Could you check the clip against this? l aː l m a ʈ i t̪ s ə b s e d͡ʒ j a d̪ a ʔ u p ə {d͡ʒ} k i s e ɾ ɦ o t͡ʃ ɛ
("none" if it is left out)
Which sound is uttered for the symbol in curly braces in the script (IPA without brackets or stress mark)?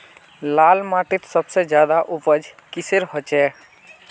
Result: d͡ʒ